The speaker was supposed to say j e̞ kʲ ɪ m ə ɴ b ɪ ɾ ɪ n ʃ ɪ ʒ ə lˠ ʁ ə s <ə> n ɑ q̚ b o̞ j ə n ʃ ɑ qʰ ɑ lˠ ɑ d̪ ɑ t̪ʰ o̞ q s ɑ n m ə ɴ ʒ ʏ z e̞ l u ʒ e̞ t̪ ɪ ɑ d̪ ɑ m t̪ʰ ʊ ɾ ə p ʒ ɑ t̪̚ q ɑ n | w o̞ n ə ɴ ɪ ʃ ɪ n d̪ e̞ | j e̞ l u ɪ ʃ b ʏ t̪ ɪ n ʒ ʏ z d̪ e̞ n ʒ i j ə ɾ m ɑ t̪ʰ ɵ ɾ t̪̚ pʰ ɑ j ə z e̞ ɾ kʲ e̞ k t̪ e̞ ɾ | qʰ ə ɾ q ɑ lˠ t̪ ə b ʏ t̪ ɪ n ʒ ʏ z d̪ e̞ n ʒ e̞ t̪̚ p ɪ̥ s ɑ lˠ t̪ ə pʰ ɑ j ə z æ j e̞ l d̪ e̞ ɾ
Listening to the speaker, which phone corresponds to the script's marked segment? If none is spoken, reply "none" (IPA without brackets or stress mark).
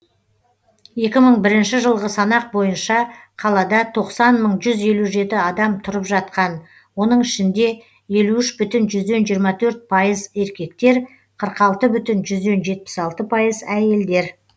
ɑ